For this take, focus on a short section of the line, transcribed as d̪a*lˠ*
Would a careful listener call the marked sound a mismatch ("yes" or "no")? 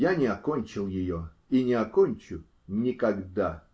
yes